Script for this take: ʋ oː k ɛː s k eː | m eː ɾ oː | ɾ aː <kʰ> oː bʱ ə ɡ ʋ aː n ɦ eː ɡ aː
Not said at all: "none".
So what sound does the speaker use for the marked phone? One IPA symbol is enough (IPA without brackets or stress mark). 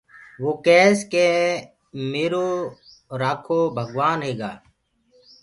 kʰ